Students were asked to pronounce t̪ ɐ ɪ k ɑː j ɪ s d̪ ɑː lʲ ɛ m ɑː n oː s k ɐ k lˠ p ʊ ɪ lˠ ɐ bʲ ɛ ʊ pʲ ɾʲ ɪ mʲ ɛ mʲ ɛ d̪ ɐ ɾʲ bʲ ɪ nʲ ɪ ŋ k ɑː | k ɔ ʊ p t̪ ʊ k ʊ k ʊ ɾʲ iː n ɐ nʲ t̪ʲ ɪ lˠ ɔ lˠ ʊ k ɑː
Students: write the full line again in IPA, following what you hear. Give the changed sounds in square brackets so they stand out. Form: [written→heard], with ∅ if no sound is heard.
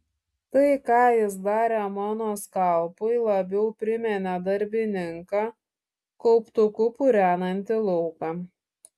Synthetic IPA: t̪ ɐ ɪ k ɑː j ɪ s d̪ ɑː [lʲ→ɾʲ] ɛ m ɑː n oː s k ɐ [k→∅] lˠ p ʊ ɪ lˠ ɐ bʲ ɛ ʊ pʲ ɾʲ ɪ mʲ ɛ [mʲ→nʲ] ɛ d̪ ɐ ɾʲ bʲ ɪ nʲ ɪ ŋ k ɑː | k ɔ ʊ p t̪ ʊ k ʊ [k→p] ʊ ɾʲ [iː→æː] n ɐ nʲ t̪ʲ ɪ lˠ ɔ [lˠ→∅] ʊ k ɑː